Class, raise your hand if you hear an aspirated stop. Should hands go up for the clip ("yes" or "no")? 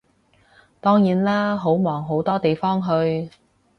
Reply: no